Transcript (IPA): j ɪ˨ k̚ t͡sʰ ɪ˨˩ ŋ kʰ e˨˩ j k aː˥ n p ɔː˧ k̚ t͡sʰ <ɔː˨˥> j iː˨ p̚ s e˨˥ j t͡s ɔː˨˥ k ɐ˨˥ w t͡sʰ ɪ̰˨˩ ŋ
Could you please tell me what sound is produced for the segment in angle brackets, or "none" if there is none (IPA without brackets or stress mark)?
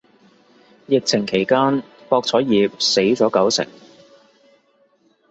ɔː˨˥